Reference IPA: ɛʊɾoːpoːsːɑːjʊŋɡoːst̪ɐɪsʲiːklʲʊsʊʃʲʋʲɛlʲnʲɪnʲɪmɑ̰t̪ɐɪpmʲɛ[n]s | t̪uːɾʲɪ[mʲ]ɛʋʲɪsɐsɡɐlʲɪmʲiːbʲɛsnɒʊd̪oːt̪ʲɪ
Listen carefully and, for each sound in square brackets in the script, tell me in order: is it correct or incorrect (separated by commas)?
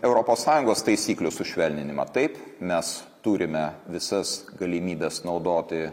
incorrect, correct